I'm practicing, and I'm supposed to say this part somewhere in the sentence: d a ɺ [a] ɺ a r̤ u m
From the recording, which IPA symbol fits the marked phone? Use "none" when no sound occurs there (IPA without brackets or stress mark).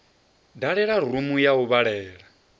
ɛ